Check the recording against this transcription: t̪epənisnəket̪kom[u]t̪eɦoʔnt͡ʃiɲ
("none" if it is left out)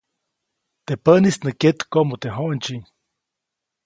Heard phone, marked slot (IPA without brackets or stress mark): o